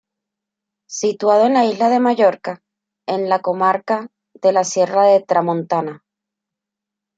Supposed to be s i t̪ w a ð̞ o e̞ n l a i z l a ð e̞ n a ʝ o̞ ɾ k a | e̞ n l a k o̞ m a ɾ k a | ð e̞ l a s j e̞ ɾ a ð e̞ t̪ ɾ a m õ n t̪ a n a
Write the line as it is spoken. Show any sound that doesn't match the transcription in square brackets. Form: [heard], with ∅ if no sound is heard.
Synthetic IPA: s i t̪ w a ð̞ o e̞ n l a i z l a ð e̞ [m] a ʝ o̞ ɾ k a | e̞ n l a k o̞ m a ɾ k a | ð e̞ l a s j e̞ [r] a ð e̞ t̪ ɾ a m õ n t̪ a n a